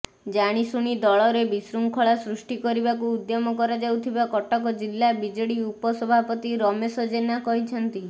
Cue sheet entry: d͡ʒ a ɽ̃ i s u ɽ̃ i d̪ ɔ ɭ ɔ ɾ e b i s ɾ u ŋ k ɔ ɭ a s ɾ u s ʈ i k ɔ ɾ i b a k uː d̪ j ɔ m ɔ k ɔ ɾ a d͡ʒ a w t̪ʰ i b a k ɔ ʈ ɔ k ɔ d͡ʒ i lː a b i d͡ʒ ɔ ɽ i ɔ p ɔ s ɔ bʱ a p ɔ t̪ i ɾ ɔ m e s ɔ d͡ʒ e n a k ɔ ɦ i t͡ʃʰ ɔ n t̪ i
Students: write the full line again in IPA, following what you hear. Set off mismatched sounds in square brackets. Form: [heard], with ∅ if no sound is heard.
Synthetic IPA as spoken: d͡ʒ a ɽ̃ i s u ɽ̃ i d̪ ɔ ɭ ɔ ɾ e b i s ɾ u ŋ [kʰ] ɔ ɭ a s ɾ u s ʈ i k ɔ ɾ i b a k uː d̪ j ɔ m ɔ k ɔ ɾ a d͡ʒ a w t̪ʰ i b a k ɔ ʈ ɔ k ɔ d͡ʒ i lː a b i d͡ʒ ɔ ɽ i [u] p ɔ s ɔ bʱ a p ɔ t̪ i ɾ ɔ m e s ɔ d͡ʒ e n a k ɔ ɦ i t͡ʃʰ ɔ n t̪ i